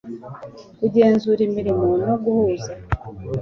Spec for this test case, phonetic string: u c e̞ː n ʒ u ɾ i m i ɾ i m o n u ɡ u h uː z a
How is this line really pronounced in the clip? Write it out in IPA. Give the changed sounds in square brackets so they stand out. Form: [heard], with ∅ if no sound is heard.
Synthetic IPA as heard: u [ɟ] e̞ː n [z] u ɾ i m i ɾ i m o n [o] ɡ u h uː z a